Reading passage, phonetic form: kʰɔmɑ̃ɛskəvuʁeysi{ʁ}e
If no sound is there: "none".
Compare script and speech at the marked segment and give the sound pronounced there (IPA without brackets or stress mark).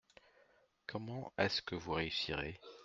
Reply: ʁ